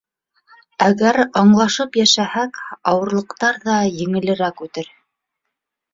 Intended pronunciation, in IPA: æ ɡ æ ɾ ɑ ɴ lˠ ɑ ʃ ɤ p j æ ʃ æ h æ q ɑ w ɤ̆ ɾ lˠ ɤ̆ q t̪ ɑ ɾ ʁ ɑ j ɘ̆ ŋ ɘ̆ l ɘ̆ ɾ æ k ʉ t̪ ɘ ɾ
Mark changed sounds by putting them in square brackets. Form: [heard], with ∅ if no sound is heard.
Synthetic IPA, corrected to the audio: æ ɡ æ ɾ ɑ ɴ lˠ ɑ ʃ ɤ p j æ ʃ æ h æ [k] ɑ w ɤ̆ ɾ lˠ ɤ̆ q t̪ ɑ ɾ [ð] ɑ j ɘ̆ ŋ ɘ̆ l ɘ̆ ɾ æ k ʉ t̪ ɘ ɾ